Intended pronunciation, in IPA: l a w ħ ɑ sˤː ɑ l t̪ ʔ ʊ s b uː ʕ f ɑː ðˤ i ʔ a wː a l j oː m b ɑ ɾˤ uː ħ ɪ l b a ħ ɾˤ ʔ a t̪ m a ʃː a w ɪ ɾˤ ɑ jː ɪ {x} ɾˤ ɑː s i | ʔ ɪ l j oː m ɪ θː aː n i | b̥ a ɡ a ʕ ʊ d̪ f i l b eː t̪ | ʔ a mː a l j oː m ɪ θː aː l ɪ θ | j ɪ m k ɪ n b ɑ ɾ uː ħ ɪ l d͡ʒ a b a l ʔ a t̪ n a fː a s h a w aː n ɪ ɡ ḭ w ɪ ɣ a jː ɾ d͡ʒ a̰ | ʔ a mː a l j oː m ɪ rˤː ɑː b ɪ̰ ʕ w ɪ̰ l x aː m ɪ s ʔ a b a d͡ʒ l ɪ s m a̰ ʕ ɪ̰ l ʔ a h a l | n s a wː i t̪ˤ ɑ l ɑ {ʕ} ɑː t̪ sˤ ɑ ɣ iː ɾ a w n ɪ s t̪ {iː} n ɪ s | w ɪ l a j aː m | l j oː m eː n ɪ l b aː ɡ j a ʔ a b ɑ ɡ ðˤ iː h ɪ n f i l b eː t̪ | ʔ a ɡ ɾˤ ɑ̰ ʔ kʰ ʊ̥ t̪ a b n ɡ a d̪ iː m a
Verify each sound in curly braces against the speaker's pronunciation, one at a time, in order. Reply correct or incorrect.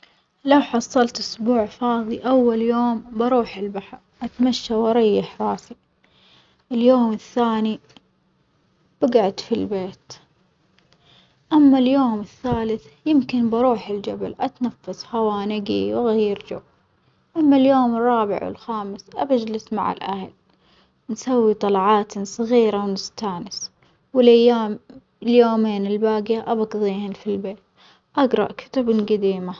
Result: incorrect: ħ, correct, incorrect: aː

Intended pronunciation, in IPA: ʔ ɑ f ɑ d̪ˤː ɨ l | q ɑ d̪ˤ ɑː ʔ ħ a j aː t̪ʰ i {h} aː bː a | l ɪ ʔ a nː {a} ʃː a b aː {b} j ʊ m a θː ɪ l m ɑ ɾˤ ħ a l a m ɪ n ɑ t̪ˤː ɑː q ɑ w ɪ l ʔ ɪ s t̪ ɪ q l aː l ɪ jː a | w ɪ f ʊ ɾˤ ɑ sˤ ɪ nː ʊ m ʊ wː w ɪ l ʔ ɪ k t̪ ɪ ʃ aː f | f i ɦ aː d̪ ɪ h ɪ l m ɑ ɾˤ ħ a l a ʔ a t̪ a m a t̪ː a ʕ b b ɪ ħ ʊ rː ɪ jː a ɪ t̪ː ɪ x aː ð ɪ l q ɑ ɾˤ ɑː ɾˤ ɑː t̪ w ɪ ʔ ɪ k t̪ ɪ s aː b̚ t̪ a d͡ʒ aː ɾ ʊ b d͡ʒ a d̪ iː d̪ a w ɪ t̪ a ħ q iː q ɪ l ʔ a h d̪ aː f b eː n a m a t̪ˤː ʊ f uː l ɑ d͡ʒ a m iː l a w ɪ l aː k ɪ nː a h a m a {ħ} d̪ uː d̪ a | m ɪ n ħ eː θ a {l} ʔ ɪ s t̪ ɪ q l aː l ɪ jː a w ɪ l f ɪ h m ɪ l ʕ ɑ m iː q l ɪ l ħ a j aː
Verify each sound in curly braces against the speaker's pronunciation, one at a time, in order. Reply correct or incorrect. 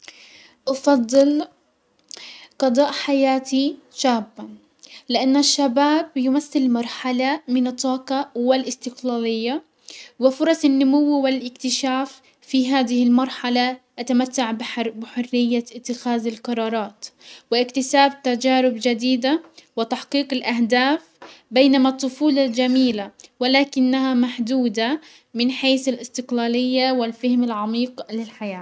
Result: incorrect: ʃ, correct, correct, correct, correct

